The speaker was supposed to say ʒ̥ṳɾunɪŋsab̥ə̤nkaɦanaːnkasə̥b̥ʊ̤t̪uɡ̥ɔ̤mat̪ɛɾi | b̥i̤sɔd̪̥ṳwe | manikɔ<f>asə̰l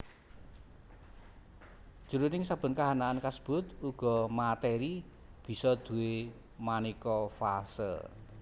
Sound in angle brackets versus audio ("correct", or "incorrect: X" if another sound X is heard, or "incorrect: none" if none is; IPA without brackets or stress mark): correct